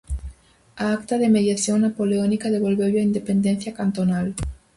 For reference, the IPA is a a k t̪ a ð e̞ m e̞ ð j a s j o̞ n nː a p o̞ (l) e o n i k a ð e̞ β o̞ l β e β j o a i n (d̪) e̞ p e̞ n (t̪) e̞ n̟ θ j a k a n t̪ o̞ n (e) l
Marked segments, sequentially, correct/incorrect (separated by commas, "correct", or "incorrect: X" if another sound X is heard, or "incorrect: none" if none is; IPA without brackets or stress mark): correct, correct, incorrect: d̪, incorrect: a